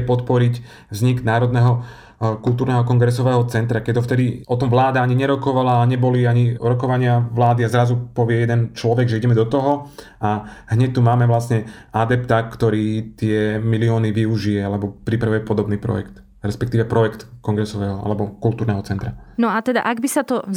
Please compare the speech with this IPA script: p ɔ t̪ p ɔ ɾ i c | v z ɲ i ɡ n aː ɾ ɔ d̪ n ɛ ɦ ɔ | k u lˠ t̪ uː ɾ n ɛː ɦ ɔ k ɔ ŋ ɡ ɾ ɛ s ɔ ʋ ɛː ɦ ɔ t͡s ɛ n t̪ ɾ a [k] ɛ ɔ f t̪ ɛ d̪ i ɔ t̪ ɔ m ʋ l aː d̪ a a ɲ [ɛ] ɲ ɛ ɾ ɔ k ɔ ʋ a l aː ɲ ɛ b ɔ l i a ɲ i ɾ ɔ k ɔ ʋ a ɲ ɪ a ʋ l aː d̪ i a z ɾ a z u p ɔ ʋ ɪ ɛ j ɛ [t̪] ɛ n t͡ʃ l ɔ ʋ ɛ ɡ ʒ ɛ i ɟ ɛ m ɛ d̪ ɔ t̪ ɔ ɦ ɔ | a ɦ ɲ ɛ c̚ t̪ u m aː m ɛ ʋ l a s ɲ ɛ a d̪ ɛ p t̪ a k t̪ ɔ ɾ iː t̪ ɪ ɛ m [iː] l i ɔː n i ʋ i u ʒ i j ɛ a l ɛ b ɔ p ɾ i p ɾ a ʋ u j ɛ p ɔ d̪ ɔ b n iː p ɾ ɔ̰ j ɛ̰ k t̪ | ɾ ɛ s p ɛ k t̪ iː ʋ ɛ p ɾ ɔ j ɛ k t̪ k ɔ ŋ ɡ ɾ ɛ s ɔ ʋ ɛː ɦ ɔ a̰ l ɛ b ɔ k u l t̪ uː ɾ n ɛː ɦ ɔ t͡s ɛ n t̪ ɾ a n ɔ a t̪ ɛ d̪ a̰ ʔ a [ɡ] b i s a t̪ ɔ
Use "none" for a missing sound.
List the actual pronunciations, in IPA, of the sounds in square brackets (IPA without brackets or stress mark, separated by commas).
k, i, d̪, i, ɡ